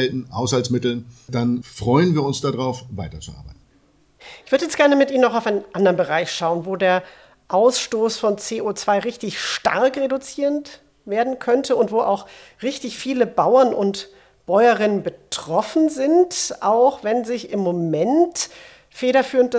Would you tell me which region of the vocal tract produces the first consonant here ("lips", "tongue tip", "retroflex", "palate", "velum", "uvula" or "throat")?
tongue tip